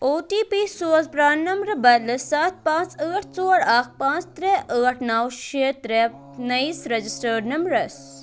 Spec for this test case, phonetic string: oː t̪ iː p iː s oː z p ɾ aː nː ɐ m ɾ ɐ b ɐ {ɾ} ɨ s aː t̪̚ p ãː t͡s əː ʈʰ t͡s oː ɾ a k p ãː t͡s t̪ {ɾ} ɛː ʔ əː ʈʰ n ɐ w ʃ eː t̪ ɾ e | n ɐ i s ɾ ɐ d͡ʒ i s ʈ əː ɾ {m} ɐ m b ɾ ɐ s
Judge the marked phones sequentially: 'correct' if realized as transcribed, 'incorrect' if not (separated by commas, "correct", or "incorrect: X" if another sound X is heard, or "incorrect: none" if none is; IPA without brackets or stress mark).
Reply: incorrect: l, correct, incorrect: n